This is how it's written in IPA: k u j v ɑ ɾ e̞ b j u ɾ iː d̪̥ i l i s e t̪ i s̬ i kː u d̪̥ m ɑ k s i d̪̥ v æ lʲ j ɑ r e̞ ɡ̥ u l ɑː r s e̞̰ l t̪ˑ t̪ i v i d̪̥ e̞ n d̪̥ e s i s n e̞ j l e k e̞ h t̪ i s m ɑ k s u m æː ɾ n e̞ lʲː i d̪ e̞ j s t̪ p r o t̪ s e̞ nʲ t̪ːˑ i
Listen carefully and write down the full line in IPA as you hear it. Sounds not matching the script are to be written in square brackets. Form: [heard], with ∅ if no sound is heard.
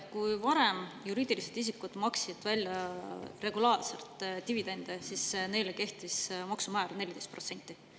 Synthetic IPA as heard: k u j v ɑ ɾ e̞ [m] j u ɾ iː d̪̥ i l i s e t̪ i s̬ i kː u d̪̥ m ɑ k s i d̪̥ v æ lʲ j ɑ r e̞ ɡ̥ u l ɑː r s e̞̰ l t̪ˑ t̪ i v i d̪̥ e̞ n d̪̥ e s i s n e̞ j l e k e̞ h t̪ i s m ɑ k s u m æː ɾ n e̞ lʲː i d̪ e̞ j s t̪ p r o t̪ s e̞ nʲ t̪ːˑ i